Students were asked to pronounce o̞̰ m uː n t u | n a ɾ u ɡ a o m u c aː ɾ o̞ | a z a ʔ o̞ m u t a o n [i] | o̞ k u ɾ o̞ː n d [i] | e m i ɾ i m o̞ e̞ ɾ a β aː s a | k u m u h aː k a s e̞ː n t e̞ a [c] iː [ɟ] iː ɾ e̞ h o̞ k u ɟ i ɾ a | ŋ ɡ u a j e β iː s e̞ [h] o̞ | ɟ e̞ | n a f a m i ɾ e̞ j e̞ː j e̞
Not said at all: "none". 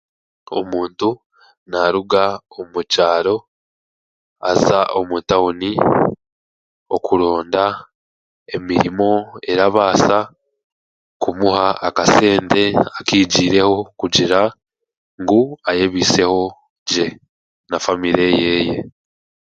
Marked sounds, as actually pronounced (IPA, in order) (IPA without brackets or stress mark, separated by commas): i, a, k, ɟ, h